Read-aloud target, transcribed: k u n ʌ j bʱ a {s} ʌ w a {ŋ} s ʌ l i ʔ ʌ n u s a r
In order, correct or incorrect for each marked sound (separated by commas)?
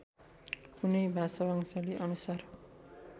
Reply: correct, correct